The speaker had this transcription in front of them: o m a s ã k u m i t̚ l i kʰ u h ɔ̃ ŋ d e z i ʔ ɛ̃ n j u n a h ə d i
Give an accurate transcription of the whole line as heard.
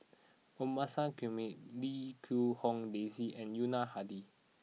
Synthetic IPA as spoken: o m a s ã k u m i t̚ l i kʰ u h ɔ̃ ŋ d e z i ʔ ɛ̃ n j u n a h a d i